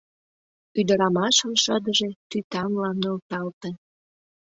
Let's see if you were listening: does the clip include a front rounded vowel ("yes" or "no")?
yes